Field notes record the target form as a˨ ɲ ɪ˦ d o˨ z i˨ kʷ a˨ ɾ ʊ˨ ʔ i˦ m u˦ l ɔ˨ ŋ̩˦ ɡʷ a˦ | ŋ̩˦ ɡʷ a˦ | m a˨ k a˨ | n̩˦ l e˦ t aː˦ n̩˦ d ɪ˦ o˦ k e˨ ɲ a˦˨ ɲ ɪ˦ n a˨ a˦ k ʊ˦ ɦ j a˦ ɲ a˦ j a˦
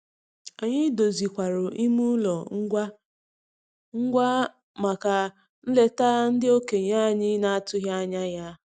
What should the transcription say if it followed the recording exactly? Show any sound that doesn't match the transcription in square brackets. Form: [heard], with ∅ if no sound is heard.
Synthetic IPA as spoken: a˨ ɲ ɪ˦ d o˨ z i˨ kʷ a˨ ɾ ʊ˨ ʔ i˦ m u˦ l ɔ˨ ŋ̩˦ ɡʷ a˦ | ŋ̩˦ ɡʷ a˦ | m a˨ k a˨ | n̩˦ l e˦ t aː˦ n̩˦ d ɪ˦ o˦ k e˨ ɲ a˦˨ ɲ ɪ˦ n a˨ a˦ [t] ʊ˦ ɦ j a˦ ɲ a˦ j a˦